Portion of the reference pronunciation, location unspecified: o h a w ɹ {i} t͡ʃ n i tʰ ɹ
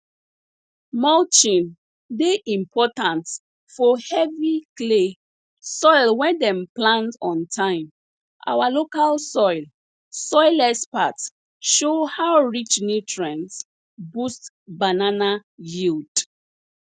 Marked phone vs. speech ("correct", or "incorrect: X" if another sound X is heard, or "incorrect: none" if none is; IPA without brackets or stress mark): correct